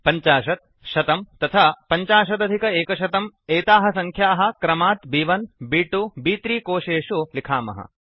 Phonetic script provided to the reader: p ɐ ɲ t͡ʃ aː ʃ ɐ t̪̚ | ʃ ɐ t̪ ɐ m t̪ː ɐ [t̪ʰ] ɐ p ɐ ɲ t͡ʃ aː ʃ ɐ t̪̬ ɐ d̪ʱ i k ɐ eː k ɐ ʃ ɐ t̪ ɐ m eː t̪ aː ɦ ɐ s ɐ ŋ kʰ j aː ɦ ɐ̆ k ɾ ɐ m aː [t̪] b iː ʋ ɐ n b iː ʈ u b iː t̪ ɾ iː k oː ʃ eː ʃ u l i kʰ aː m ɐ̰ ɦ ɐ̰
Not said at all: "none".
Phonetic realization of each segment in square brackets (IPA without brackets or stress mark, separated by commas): t̪ʰ, t̪